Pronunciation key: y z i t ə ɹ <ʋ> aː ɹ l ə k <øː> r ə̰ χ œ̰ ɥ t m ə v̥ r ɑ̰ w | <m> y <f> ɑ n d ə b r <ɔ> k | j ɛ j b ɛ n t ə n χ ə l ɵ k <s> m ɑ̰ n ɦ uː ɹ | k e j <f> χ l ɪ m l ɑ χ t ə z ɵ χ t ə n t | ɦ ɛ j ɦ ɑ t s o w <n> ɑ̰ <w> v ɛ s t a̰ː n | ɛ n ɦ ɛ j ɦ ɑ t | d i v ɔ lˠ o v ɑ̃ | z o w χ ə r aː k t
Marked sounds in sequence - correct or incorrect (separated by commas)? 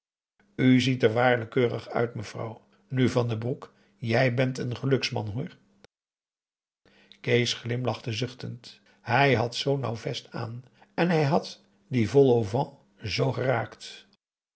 correct, correct, incorrect, incorrect, incorrect, correct, incorrect, correct, correct